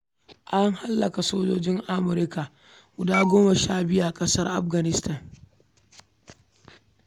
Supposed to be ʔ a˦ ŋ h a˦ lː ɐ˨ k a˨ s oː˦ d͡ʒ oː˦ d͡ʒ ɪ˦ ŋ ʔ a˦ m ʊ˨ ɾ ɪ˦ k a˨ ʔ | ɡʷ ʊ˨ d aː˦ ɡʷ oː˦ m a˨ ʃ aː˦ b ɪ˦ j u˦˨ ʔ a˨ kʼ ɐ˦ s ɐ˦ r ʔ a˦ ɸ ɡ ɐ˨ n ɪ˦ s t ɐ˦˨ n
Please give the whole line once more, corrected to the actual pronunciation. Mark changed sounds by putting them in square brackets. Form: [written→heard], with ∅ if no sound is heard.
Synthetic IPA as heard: ʔ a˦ ŋ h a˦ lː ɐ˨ k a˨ s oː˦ d͡ʒ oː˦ d͡ʒ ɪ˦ ŋ ʔ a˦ m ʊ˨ ɾ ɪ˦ k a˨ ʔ | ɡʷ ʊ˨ d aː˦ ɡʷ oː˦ m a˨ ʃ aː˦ b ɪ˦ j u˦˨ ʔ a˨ kʼ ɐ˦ s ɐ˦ r ʔ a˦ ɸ ɡ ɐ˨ n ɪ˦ s t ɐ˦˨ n